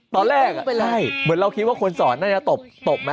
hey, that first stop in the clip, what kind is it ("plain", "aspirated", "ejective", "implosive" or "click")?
plain